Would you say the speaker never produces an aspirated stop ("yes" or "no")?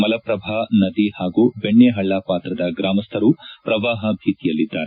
no